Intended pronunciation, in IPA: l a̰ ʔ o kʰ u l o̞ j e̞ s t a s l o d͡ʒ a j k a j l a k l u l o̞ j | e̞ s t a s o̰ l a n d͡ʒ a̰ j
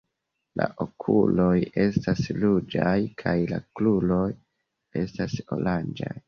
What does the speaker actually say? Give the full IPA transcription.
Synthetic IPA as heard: l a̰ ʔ o kʰ u l o̞ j e̞ s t a s l u d͡ʒ a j kʰ a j l a k l u l o̞ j | e̞ s t a s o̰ l a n d͡ʒ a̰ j